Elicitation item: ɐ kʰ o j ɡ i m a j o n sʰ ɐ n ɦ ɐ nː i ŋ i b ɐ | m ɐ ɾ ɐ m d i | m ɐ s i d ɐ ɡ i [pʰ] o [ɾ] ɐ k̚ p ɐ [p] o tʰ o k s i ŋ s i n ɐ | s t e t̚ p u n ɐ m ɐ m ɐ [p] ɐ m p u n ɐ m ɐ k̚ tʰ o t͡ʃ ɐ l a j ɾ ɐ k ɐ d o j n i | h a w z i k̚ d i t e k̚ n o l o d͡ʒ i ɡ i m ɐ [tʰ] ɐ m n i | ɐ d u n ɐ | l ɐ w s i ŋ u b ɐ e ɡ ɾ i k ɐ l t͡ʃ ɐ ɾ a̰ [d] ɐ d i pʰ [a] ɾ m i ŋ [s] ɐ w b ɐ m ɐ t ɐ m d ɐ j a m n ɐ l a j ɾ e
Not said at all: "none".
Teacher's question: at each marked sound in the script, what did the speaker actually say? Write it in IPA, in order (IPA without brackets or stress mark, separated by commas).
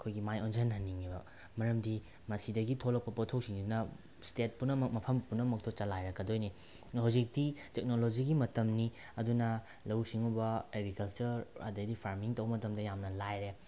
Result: tʰ, l, p, pʰ, t, d, a, t